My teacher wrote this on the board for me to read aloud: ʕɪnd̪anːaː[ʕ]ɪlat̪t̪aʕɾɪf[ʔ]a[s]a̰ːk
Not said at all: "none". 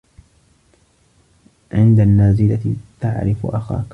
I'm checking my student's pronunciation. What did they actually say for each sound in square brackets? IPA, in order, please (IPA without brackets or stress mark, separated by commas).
z, ʔ, x